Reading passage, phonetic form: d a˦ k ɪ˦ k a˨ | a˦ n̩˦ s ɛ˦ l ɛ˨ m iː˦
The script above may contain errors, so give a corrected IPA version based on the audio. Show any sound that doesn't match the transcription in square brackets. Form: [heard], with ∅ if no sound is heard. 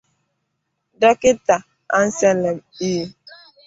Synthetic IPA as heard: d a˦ k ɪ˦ [t] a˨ | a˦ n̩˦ s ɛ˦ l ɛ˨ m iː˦

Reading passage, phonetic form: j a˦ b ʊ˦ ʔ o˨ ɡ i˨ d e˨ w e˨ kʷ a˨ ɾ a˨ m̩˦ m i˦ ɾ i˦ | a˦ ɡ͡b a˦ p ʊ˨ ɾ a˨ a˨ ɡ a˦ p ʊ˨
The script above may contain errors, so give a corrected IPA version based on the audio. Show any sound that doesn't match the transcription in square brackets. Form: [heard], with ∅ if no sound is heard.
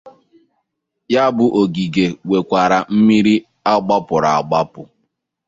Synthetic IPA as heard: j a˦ b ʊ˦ ʔ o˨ ɡ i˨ [ɡ] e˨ w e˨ kʷ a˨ ɾ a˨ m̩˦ m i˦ ɾ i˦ | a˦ ɡ͡b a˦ p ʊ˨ ɾ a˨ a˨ [ɡ͡b] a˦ p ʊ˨

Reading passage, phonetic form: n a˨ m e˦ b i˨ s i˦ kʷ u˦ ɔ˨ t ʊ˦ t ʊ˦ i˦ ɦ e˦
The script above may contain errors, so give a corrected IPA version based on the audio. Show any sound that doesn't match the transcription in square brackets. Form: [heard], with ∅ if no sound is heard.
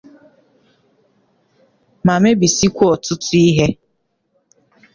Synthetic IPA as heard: [m] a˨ m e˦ b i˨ s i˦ kʷ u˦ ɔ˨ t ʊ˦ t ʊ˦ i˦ ɦ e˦

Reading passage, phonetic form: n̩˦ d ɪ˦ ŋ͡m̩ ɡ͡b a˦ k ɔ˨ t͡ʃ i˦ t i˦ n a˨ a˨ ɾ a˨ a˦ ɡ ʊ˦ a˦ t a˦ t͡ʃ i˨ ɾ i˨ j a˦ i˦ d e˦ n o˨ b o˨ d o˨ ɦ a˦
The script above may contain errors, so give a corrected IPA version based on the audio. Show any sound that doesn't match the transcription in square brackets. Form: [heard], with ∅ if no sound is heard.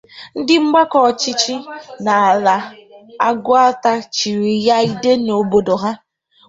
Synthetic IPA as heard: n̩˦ d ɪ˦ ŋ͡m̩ ɡ͡b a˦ k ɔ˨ t͡ʃ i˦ [t͡ʃ] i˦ n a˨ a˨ [l] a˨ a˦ ɡ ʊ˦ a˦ t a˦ t͡ʃ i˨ ɾ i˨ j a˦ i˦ d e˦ n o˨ b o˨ d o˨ ɦ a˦

